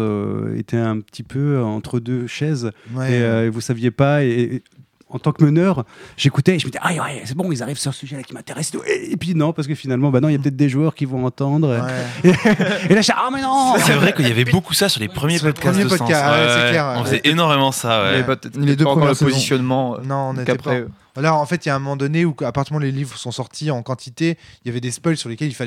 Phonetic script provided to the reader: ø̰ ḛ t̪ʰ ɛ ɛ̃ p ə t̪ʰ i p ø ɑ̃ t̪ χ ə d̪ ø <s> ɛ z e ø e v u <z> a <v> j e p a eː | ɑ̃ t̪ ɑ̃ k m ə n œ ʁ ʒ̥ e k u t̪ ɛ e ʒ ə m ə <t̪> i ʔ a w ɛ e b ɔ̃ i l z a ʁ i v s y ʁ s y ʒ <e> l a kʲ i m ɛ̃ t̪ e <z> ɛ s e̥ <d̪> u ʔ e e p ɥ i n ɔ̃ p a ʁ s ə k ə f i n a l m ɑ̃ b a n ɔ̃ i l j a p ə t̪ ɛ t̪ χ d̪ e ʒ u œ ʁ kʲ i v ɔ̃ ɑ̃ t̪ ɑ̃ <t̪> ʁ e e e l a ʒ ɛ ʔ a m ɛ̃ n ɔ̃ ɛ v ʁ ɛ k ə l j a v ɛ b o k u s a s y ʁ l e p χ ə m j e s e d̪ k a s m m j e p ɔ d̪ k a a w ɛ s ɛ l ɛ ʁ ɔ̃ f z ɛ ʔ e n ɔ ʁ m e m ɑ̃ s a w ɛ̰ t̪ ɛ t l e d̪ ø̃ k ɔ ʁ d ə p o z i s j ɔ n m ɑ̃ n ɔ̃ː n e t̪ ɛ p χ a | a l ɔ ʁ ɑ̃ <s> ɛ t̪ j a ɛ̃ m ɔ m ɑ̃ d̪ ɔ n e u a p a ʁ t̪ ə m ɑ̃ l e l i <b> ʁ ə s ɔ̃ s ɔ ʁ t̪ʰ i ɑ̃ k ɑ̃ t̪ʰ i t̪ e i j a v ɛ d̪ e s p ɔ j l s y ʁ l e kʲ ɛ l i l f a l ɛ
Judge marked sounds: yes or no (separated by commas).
no, no, yes, no, no, no, no, no, no, no